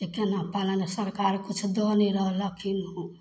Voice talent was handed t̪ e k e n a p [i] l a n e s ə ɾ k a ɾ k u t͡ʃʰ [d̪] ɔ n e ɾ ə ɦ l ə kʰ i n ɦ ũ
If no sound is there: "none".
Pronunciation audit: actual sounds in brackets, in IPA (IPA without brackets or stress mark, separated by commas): a, d̪